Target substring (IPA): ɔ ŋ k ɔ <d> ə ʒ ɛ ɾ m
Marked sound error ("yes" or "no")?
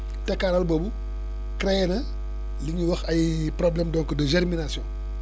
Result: no